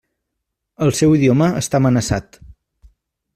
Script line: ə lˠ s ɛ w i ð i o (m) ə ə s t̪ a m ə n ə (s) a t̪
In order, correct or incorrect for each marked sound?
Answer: correct, correct

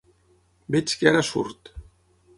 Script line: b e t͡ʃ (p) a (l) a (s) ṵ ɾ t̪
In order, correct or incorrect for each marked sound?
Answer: incorrect: k, incorrect: ɾ, correct

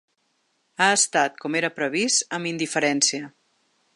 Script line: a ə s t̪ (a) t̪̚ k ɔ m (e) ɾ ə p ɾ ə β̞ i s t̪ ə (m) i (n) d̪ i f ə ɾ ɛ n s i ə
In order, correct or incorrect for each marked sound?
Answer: correct, correct, correct, correct

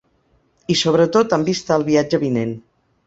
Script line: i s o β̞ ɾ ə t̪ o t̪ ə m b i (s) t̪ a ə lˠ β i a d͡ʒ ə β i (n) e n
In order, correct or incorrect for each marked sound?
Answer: correct, correct

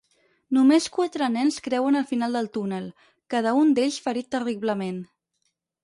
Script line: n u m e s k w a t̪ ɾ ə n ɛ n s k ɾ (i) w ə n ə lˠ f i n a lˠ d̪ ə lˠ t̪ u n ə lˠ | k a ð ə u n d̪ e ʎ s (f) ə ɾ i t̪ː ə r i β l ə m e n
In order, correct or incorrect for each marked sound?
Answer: incorrect: ɛ, correct

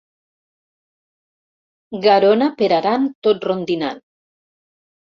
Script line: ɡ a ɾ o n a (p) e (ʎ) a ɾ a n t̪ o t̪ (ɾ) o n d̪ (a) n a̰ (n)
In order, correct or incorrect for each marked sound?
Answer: correct, incorrect: ɾ, incorrect: r, incorrect: i, correct

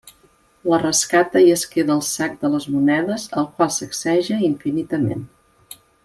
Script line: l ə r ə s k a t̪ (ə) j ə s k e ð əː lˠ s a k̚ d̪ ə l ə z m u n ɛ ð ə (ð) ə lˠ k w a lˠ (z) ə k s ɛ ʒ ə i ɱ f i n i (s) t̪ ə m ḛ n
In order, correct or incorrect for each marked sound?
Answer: correct, incorrect: z, incorrect: s, incorrect: none

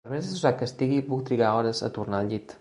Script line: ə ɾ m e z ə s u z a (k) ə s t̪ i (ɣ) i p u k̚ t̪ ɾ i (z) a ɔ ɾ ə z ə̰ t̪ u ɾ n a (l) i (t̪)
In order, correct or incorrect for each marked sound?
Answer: correct, correct, incorrect: ɣ, incorrect: ʎ, correct

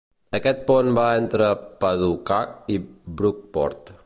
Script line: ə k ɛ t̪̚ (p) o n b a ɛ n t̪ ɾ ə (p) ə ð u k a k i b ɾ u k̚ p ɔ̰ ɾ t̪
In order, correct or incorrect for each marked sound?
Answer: correct, correct

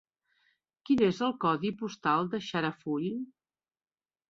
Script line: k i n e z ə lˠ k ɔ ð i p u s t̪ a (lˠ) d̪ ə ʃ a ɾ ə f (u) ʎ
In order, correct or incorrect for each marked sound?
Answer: correct, correct

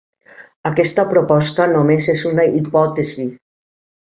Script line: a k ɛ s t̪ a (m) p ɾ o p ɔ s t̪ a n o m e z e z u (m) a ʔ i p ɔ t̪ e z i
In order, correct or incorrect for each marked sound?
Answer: incorrect: none, incorrect: n

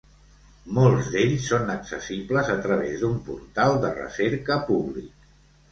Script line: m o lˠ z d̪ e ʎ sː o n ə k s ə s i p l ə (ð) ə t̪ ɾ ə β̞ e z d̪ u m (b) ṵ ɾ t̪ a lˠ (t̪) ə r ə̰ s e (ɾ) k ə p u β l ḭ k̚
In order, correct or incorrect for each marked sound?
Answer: incorrect: z, incorrect: p, incorrect: d̪, correct

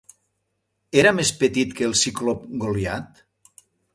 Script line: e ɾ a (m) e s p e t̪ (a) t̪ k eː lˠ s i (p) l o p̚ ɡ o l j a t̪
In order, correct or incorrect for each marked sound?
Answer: correct, incorrect: i, incorrect: k

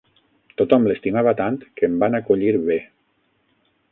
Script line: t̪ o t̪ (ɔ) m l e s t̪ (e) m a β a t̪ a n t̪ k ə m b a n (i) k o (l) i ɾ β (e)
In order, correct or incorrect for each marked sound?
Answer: correct, incorrect: i, incorrect: a, incorrect: ʎ, correct

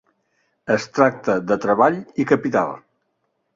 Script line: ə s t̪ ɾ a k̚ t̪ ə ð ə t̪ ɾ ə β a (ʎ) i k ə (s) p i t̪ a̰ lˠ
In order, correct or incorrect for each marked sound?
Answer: correct, incorrect: none

